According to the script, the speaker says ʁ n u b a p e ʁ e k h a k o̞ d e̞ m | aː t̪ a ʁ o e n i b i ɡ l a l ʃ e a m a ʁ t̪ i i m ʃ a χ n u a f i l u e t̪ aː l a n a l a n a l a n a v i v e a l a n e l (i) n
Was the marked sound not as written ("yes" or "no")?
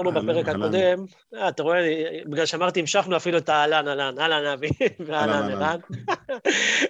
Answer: yes